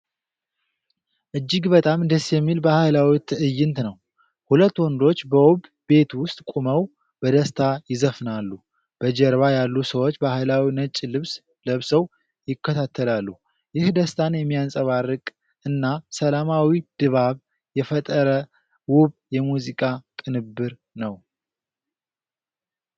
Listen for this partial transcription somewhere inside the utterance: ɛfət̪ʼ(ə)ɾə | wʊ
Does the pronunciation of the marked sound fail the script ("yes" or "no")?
no